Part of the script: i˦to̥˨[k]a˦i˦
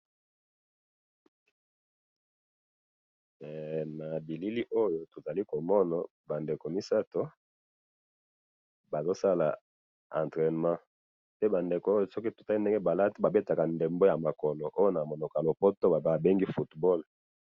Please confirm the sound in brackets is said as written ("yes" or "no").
no